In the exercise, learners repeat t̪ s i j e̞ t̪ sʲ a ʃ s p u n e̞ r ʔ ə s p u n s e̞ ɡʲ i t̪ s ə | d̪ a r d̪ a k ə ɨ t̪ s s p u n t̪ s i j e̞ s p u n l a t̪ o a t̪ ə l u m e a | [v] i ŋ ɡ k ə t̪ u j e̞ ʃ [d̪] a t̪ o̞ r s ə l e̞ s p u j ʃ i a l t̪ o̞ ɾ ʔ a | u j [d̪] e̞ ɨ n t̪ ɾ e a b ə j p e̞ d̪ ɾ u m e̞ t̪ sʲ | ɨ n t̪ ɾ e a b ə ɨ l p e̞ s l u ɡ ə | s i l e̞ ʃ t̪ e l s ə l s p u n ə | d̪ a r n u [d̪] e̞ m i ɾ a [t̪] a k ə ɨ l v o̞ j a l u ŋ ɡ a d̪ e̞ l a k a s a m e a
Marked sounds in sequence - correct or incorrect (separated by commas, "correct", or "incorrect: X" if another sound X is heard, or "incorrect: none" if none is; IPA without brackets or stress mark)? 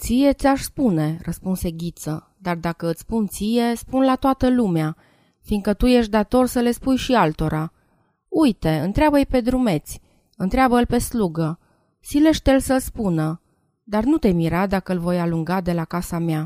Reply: incorrect: f, correct, incorrect: t̪, incorrect: t̪, incorrect: d̪